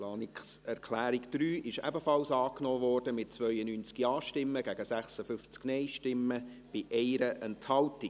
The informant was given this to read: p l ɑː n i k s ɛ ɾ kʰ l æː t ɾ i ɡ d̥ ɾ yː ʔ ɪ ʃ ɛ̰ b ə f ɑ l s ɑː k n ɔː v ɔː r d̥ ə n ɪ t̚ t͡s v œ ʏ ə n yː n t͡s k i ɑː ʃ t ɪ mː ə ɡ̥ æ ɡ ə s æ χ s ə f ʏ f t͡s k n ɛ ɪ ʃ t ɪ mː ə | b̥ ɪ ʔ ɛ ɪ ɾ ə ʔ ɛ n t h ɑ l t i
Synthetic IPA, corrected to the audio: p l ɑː n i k s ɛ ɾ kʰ l æː ɾ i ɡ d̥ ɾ yː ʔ ɪ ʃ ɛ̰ b ə f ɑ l s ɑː k n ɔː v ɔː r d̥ ə m ɪ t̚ t͡s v œ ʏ ə n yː n t͡s k i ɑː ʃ t ɪ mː ə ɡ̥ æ ɡ ə s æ χ s ə f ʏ f t͡s k n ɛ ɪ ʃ t ɪ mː ə | b̥ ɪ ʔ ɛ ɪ ɾ ə ʔ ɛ n t h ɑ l t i